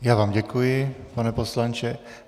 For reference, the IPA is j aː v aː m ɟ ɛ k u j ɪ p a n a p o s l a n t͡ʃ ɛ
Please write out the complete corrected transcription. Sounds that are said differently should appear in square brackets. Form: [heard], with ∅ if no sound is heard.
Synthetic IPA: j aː v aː m ɟ ɛ k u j ɪ p a n [ɛ] p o s l a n t͡ʃ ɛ